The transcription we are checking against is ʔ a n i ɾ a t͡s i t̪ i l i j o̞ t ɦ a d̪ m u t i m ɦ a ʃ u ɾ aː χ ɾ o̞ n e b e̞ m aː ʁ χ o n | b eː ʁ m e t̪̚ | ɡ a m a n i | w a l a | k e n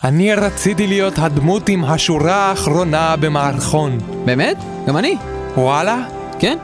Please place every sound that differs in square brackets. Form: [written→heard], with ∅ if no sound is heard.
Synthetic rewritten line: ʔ a n i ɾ a t͡s i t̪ i l i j o̞ t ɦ a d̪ m u t i m ɦ a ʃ u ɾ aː χ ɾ o̞ n [e→a] b e̞ m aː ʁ χ o n | b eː [ʁ→∅] m e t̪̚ | ɡ a m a n i | w a l a | k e n